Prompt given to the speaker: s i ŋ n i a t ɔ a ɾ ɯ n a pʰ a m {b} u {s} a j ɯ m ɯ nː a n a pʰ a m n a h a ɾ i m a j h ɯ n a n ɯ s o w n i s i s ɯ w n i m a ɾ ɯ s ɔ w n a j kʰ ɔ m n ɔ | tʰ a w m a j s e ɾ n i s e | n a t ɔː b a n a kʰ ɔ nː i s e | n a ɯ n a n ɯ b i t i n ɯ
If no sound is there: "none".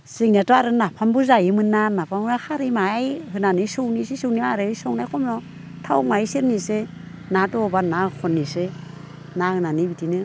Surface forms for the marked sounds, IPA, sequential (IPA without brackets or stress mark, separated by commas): b, z